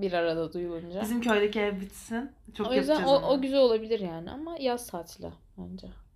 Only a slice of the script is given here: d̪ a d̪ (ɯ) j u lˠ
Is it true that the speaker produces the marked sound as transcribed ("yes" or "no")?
no